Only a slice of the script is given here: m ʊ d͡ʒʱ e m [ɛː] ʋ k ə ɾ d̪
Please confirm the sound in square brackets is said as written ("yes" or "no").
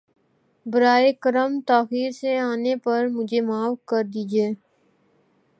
no